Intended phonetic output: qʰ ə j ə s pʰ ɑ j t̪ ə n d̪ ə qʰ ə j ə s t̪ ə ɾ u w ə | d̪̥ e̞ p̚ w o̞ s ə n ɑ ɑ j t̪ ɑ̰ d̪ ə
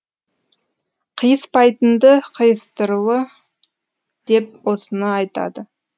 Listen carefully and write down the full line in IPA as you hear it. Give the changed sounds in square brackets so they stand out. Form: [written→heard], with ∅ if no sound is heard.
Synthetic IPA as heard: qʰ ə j ə s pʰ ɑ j t̪ ə n d̪ ə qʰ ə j ə s t̪ ə ɾ u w ə | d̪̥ e̞ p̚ w o̞ s ə n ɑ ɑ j t̪ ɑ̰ d̪ ə